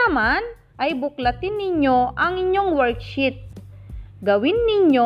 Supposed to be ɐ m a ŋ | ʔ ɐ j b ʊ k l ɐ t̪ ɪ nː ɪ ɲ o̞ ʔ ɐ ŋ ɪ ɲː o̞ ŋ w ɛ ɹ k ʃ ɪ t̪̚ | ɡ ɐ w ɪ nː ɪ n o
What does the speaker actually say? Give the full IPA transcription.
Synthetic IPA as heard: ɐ m a n | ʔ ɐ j b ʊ k l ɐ t̪ ɪ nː ɪ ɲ o̞ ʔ ɐ ŋ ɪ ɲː o̞ ŋ w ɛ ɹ k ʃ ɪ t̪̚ | ɡ ɐ w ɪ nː ɪ ɲ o